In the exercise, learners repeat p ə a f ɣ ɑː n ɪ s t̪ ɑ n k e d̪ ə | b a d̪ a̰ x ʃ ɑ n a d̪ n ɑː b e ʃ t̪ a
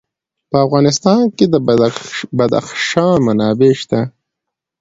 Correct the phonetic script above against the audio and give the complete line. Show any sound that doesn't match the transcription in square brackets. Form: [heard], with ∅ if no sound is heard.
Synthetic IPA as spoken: p ə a f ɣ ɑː n ɪ s t̪ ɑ n k e d̪ ə | b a d̪ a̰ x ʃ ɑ [m] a [∅] n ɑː b e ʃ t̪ a